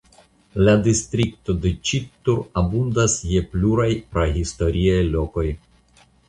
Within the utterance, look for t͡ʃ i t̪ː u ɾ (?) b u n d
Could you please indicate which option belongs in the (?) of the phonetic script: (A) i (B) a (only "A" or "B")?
B